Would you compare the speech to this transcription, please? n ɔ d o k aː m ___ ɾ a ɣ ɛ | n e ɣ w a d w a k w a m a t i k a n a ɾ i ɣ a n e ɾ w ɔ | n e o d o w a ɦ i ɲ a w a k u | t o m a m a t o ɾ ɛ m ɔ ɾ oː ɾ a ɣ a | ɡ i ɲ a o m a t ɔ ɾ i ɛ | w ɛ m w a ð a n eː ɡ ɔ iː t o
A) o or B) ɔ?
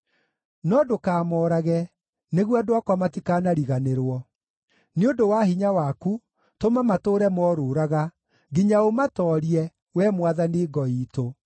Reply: B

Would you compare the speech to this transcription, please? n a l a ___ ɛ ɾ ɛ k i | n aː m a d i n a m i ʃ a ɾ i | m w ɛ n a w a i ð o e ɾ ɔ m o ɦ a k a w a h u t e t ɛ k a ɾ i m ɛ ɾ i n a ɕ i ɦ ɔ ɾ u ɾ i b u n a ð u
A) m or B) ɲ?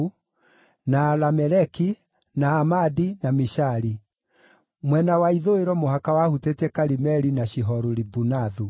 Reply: A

